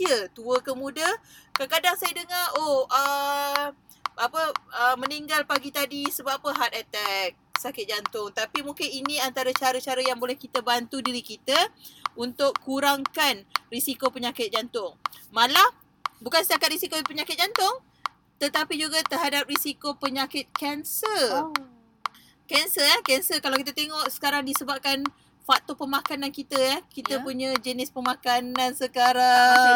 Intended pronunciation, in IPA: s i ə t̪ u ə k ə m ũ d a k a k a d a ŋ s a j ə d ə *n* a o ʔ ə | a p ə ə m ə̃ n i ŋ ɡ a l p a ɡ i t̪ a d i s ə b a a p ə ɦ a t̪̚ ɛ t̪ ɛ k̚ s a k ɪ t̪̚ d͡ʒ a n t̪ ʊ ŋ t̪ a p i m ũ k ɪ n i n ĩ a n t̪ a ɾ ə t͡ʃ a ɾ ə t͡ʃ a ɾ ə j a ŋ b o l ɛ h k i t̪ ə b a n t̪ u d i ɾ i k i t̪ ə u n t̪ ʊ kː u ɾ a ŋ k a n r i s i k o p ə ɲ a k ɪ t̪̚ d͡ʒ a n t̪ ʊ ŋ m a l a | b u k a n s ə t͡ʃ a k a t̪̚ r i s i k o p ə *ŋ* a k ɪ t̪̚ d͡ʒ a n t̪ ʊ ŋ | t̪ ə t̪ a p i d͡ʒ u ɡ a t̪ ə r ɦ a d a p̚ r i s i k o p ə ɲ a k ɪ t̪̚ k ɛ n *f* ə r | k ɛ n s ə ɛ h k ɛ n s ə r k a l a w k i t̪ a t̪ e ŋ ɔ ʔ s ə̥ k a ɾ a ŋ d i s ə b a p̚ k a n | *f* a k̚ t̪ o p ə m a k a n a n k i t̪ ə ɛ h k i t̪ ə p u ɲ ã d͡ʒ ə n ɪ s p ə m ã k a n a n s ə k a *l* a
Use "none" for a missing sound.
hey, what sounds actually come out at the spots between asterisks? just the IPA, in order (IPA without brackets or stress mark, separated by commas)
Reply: ŋ, ɲ, s, f, ɾ